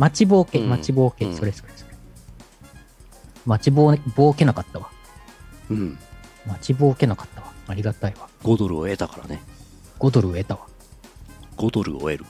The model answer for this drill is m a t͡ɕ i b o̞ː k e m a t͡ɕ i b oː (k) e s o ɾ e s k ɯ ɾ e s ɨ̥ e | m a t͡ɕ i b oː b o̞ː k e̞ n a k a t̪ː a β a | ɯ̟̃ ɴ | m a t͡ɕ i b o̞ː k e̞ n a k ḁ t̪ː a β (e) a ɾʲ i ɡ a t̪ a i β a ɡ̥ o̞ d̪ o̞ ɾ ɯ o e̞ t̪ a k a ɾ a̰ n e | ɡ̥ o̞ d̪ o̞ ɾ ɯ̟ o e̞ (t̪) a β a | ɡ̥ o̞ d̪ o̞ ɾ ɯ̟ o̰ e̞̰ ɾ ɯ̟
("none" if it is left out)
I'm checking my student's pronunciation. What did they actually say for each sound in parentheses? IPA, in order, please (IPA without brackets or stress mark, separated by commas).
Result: k, a, t̪